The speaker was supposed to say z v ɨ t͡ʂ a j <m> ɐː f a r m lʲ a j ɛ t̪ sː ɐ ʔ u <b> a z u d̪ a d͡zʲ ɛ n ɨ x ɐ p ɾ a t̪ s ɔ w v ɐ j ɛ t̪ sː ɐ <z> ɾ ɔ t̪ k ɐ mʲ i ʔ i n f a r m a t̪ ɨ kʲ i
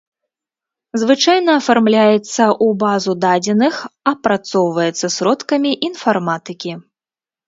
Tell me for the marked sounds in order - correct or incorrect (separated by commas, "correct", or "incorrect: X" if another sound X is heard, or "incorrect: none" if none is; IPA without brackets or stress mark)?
incorrect: n, correct, incorrect: s